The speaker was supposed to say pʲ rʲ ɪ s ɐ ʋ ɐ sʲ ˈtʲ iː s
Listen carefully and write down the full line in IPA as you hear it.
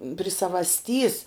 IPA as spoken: pʲ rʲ ɪ s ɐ ʋ ɐ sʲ ˈtʲ iː s